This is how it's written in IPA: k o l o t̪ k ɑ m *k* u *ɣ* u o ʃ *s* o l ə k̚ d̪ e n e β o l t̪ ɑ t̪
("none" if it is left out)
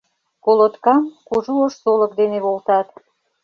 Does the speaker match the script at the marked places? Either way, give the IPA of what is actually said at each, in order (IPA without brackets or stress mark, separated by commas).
k, ʒ, s